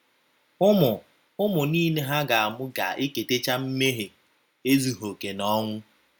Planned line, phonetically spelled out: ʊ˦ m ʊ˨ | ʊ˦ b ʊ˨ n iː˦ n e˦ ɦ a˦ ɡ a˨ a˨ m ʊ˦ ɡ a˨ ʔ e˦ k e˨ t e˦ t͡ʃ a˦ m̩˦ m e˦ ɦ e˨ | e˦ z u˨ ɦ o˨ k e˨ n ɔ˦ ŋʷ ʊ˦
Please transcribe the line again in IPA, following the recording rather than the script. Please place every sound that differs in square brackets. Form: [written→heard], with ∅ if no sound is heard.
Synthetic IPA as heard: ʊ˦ m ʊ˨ | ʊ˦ [b→m] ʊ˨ n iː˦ n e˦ ɦ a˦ ɡ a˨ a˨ m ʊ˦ ɡ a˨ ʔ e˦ k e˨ t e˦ t͡ʃ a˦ m̩˦ m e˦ ɦ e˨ | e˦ z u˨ ɦ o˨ k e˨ n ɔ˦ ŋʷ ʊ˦